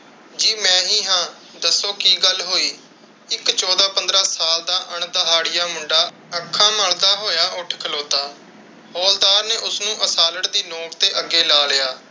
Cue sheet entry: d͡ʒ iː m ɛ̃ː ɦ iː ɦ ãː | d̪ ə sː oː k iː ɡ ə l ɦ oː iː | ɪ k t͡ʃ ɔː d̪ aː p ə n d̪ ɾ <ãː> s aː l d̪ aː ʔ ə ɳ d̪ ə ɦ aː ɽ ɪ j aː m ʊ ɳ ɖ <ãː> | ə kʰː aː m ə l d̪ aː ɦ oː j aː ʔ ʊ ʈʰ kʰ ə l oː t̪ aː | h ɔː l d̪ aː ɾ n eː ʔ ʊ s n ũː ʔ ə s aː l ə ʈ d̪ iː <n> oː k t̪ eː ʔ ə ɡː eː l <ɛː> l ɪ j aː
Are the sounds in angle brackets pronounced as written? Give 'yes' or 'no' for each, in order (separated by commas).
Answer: no, no, yes, no